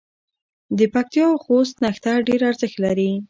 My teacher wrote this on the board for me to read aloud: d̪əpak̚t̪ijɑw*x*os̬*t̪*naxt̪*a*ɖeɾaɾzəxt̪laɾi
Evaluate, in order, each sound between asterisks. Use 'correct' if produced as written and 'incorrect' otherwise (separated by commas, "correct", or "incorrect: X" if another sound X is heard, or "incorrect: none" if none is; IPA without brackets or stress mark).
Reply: correct, correct, correct